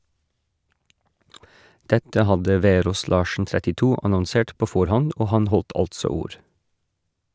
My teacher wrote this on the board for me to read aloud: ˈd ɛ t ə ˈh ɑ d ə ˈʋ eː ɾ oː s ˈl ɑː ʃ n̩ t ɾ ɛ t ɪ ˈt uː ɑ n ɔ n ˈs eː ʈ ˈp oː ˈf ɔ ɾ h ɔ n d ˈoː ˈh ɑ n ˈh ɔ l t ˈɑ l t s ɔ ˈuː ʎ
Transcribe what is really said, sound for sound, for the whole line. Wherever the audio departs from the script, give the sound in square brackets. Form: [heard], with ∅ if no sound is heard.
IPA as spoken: ˈd ɛ t ə ˈh ɑ d ə ˈʋ eː ɾ oː s ˈl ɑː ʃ n̩ t ɾ ɛ t ɪ ˈt uː ɑ n ɔ n ˈs eː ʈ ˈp oː ˈf ɔ ɾ h ɔ n d ˈoː ˈh ɑ n ˈh ɔ l t ˈɑ l t s ɔ ˈuː [ɾ]

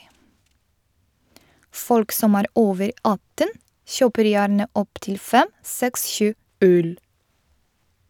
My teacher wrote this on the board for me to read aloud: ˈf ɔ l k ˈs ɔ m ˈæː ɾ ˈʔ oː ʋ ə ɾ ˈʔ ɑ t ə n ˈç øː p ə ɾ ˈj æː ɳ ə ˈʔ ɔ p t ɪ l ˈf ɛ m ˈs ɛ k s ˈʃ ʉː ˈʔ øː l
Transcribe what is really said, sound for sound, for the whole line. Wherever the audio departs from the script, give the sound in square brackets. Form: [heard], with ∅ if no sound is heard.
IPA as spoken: ˈf ɔ l k ˈs ɔ m ˈæː ɾ ˈʔ oː ʋ ə ɾ ˈʔ ɑ t ə n ˈç øː p ə ɾ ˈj æː ɳ ə ˈʔ ɔ p t ɪ l ˈf ɛ m ˈs ɛ k s ˈʃ ʉː ˈʔ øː l

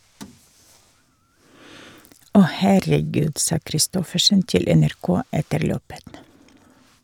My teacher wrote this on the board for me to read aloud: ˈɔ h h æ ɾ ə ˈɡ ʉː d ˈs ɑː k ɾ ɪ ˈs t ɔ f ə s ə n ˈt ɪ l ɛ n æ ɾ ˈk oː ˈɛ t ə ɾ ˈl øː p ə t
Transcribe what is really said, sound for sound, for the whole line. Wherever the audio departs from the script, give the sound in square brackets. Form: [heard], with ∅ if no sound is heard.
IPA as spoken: ˈɔ h h æ ɾ ə ˈɡ ʉː d ˈs ɑː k ɾ ɪ ˈs t ɔ f ə [ʃ] ə n ˈt ɪ l ɛ n æ ɾ ˈk oː ˈɛ t ə ɾ ˈl øː p ə t

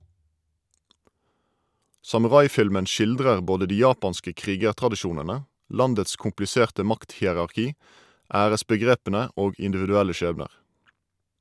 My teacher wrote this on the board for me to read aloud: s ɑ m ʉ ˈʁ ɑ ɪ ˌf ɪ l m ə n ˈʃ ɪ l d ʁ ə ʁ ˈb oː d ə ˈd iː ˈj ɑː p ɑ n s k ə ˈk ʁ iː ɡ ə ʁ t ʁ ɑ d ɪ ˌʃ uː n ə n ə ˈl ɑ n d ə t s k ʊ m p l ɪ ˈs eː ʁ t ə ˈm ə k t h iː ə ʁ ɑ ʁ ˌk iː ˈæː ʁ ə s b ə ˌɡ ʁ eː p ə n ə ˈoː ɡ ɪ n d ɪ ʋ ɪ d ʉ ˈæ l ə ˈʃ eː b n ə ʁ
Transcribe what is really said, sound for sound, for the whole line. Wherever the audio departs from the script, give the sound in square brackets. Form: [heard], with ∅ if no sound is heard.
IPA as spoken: s ɑ m ʉ ˈʁ ɑ ɪ ˌf ɪ l m ə n ˈʃ ɪ l d ʁ ə ʁ ˈb oː d ə ˈd iː ˈj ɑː p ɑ n s k ə ˈk ʁ iː ɡ ə ʁ t ʁ ɑ d ɪ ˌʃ uː n ə n ə ˈl ɑ n d ə t s k ʊ m p l ɪ ˈs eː ʁ t ə ˈm [ɑ] k t h iː ə ʁ ɑ ʁ ˌk iː ˈæː ʁ ə s b ə ˌɡ ʁ eː p ə n ə ˈoː ɡ ɪ n d ɪ ʋ ɪ d ʉ ˈæ l ə ˈʃ eː b n ə ʁ

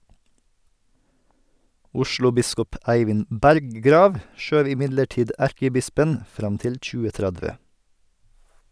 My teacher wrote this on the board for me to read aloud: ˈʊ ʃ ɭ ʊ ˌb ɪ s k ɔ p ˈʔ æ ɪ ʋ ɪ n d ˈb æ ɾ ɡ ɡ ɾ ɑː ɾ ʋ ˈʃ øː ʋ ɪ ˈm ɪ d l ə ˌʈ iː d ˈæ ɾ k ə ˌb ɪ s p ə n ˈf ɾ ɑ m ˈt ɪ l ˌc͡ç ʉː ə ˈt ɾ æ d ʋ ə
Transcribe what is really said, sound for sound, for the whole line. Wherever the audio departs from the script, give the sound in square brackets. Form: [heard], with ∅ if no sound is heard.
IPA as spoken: ˈʊ ʃ ɭ ʊ ˌb ɪ s k ɔ p ˈʔ æ ɪ ʋ ɪ n d ˈb æ ɾ ɡ ɡ ɾ ɑː [∅] ʋ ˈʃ øː ʋ ɪ ˈm ɪ d l ə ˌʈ iː d ˈæ ɾ k ə ˌb ɪ s p ə n ˈf ɾ ɑ m ˈt ɪ l ˌc͡ç ʉː ə ˈt ɾ æ d ʋ ə

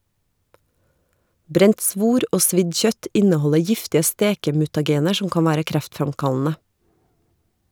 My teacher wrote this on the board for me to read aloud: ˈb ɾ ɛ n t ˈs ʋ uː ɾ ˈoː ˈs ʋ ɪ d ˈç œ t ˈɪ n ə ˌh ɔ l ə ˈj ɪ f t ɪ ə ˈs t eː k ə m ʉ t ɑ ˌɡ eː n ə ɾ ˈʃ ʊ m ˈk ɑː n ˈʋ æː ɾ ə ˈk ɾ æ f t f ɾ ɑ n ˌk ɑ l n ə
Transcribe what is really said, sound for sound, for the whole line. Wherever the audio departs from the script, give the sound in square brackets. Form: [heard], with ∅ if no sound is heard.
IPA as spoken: ˈb ɾ ɛ n t ˈs ʋ uː ɾ ˈoː ˈs ʋ ɪ d ˈç œ t ˈɪ n ə ˌh ɔ l ə ˈj ɪ f t ɪ ə ˈs t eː k ə m ʉ t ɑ ˌɡ eː n ə ɾ ˈʃ ʊ m ˈk ɑː n ˈʋ æː ɾ ə ˈk ɾ æ f t f ɾ ɑ [m] ˌk ɑ l n ə

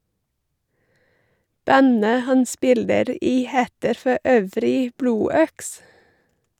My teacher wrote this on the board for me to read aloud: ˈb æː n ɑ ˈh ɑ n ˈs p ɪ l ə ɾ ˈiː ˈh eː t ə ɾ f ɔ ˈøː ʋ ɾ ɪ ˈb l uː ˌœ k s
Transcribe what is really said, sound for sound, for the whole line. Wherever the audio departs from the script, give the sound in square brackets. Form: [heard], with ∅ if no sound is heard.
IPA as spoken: ˈb [æ] n [ə] ˈh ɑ n ˈs p ɪ l ə ɾ ˈiː ˈh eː t ə ɾ f ɔ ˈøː ʋ ɾ ɪ ˈb l uː ˌœ k s

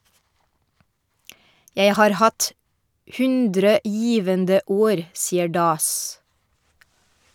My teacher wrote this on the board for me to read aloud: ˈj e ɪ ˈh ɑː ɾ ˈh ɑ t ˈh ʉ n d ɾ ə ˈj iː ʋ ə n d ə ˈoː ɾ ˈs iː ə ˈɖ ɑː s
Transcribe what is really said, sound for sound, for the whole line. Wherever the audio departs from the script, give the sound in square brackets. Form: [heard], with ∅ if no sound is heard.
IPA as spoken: ˈj e ɪ ˈh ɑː ɾ ˈh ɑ t ˈh ʉ n d ɾ ə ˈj iː ʋ ə n d ə ˈoː ɾ ˈs iː ə ˈɖ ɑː s

